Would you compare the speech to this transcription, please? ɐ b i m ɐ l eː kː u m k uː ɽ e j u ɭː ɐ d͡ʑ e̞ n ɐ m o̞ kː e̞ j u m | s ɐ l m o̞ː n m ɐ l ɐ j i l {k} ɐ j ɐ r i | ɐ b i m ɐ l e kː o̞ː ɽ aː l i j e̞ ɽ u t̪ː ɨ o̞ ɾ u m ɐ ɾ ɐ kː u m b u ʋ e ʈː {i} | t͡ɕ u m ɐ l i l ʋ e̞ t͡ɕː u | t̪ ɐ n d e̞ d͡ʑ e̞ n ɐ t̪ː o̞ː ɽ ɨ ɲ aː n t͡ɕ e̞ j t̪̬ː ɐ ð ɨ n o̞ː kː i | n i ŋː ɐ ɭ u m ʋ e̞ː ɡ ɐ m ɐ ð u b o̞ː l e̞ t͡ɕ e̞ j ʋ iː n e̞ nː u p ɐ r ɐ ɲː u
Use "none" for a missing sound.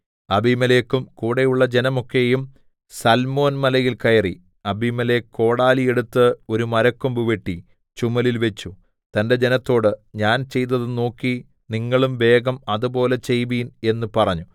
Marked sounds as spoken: k, i

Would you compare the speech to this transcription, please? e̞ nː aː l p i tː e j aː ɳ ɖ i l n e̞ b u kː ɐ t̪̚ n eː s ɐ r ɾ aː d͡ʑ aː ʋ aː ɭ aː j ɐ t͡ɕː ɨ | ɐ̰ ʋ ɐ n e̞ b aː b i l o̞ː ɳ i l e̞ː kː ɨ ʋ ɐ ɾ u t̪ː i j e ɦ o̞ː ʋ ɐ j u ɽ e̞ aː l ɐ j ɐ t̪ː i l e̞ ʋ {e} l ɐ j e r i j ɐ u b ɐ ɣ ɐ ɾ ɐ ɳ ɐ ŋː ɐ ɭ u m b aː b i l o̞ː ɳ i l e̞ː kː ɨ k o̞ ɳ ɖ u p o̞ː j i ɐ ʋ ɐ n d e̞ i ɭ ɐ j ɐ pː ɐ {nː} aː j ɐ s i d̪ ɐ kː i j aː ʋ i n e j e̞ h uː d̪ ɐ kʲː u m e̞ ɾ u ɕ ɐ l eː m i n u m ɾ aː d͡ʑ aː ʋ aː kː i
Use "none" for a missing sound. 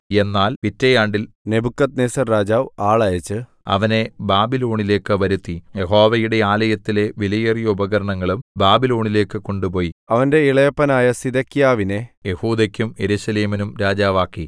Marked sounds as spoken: i, n

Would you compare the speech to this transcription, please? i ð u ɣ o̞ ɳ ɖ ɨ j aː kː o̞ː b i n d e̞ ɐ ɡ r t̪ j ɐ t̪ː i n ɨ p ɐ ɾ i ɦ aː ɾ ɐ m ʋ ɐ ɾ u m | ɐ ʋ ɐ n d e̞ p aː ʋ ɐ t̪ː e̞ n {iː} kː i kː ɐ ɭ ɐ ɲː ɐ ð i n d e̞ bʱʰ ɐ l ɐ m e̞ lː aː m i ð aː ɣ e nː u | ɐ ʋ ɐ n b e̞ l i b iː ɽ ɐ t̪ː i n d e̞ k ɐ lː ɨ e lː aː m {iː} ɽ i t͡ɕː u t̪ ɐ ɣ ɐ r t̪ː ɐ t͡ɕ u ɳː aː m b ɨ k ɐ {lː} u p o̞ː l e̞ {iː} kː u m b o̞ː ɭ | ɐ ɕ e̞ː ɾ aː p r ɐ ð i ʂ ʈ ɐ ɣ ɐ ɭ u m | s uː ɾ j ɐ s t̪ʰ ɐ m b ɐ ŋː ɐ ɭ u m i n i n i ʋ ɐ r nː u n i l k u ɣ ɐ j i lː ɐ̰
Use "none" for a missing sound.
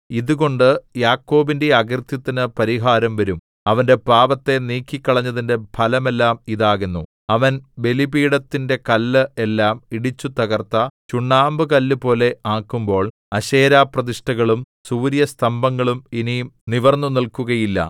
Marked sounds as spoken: iː, i, lː, aː

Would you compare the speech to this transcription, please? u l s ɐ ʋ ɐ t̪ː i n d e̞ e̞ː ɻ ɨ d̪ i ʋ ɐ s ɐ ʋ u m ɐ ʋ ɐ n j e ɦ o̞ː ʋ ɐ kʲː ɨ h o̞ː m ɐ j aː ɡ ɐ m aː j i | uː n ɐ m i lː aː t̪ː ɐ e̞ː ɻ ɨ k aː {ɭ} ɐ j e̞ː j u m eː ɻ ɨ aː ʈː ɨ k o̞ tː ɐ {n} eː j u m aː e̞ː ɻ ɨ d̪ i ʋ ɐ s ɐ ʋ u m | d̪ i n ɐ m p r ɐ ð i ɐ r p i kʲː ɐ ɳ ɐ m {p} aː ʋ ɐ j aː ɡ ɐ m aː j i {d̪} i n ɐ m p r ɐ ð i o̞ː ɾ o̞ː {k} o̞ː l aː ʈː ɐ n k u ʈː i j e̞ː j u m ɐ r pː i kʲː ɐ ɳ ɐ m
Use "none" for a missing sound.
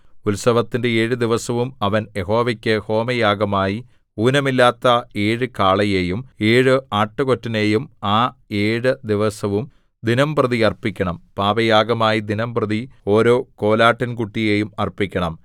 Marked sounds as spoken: ɭ, n, p, d̪, k

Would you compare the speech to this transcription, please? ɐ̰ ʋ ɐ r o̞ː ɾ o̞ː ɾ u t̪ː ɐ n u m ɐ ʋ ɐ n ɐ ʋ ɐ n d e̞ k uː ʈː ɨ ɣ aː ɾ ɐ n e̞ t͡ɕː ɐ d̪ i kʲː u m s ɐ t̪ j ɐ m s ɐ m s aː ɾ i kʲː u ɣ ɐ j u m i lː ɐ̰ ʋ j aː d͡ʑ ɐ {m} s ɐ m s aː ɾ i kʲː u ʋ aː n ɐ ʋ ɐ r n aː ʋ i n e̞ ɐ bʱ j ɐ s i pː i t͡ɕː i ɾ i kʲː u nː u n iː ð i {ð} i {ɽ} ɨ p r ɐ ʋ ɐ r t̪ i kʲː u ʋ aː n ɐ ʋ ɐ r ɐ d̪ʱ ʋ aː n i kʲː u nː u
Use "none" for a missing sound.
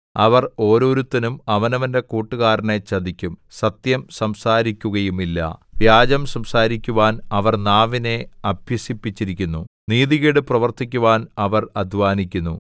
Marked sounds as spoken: m, ɣ, ɽ

